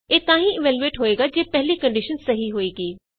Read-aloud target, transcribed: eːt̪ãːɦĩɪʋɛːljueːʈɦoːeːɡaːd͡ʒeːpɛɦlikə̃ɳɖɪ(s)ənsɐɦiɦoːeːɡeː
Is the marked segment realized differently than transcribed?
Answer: yes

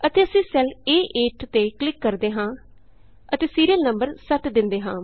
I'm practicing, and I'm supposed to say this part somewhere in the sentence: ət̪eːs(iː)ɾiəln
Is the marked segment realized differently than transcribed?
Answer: no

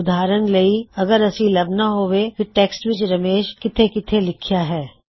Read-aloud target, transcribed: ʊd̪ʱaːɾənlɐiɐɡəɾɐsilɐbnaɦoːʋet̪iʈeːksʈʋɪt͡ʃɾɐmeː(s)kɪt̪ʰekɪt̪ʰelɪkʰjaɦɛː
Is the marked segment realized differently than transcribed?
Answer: yes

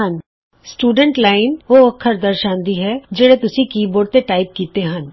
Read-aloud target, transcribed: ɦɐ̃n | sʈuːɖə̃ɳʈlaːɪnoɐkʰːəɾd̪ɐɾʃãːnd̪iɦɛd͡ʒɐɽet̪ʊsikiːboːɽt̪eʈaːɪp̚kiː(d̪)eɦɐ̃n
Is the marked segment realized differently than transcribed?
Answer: yes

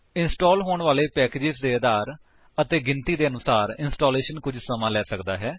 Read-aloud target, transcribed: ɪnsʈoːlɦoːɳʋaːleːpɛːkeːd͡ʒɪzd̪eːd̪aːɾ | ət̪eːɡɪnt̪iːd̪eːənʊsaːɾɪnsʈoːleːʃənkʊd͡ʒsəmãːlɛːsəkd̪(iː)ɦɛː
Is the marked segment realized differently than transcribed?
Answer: yes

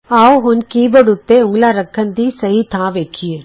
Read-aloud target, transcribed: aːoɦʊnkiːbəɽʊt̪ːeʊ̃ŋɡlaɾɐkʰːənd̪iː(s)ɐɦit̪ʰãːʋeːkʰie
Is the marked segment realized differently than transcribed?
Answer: no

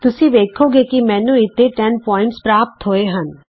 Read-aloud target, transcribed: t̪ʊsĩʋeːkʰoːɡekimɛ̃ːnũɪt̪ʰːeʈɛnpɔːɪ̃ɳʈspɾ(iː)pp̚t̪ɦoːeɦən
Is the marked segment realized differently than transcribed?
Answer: yes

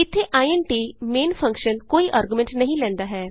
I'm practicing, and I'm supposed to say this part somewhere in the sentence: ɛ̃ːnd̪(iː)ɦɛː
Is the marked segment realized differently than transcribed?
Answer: yes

